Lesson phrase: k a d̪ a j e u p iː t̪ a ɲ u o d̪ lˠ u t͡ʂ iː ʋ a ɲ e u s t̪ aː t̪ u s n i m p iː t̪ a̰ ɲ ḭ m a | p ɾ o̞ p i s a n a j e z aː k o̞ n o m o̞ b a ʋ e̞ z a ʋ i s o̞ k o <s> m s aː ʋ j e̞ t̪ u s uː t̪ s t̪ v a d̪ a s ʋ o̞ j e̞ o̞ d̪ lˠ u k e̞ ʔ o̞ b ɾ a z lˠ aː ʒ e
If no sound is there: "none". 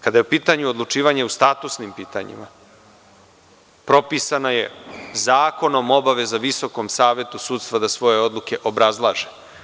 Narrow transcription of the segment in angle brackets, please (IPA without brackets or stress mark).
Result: none